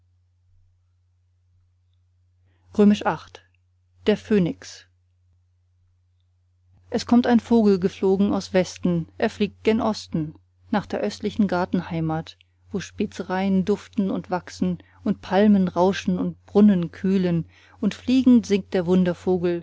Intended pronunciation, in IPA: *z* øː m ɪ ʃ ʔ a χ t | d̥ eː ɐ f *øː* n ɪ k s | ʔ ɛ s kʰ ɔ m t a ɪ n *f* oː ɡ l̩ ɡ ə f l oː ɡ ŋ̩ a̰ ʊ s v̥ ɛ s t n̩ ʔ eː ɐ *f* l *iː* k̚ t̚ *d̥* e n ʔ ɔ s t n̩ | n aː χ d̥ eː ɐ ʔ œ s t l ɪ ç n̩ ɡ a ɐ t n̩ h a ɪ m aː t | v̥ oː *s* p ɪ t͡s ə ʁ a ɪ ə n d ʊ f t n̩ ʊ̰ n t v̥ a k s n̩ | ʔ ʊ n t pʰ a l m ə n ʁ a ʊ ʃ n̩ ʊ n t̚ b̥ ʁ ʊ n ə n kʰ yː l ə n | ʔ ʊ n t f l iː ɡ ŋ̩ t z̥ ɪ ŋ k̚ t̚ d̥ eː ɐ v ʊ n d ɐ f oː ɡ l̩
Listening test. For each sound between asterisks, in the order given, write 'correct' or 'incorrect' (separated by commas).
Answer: incorrect, correct, correct, correct, correct, correct, incorrect